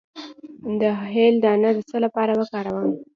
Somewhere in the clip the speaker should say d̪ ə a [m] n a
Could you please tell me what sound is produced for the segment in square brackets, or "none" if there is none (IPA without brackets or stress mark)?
none